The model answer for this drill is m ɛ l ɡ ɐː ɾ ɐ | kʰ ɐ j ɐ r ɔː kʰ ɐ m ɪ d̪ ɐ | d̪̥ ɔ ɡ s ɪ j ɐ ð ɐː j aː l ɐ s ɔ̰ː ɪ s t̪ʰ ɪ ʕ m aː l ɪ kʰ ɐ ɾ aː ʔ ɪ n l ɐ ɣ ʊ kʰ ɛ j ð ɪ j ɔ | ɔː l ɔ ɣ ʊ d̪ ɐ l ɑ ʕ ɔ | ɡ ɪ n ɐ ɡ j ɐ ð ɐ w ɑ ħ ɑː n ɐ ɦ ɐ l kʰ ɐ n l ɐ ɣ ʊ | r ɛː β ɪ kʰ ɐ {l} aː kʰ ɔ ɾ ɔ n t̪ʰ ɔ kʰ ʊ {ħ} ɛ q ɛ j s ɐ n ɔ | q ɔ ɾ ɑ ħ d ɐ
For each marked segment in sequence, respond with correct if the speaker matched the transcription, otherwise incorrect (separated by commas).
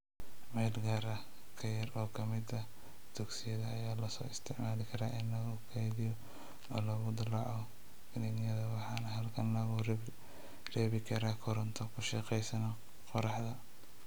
incorrect, incorrect